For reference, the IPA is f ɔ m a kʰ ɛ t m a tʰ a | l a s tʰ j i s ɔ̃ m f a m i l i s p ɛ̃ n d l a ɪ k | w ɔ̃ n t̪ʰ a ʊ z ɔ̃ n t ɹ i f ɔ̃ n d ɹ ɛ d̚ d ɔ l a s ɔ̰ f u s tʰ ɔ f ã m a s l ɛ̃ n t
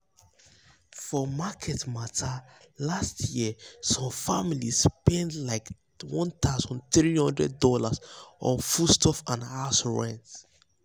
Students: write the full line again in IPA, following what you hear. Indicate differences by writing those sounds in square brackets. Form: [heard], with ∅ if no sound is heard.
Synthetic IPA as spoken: f ɔ m a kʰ ɛ t m a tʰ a | l a s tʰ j i s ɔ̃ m f a m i l i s p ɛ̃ n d l a ɪ k | w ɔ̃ n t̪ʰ a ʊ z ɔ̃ n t ɹ i [h] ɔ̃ n d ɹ ɛ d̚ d ɔ l a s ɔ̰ f u s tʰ ɔ f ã [n] a s [ɹ] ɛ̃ n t